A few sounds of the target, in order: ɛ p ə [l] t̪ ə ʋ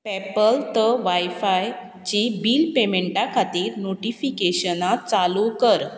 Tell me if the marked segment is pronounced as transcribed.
yes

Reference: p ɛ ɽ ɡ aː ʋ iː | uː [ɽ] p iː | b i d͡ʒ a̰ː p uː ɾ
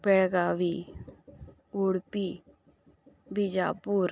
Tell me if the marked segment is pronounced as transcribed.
yes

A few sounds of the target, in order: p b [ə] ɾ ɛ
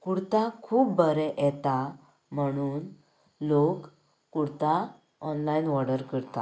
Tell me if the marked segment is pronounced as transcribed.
yes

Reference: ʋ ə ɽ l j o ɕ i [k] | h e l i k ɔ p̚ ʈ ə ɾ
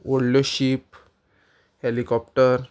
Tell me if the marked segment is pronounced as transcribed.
no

